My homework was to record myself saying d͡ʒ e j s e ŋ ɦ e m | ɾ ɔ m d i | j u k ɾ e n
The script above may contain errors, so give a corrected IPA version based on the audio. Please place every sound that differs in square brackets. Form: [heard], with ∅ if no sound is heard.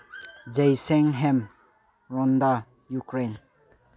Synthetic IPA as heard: d͡ʒ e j s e ŋ ɦ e m | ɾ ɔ [n] d [a] | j u k ɾ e n